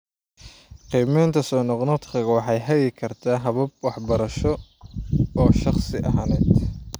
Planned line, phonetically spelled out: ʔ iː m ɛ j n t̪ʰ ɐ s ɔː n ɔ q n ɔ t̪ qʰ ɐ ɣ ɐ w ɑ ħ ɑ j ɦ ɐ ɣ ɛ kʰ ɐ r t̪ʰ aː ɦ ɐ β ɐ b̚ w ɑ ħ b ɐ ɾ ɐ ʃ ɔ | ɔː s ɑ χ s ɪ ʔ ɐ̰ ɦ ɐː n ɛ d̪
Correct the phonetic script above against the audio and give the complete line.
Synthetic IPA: q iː m ɛ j n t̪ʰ ɐ s ɔː n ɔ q n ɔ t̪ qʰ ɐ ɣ ɐ w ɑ ħ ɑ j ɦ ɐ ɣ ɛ kʰ ɐ r t̪ʰ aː ɦ ɐ β ɐ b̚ w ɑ ħ b ɐ ɾ ɐ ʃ ɔ | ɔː ʃ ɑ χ s ɪ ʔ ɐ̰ ɦ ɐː n ɛ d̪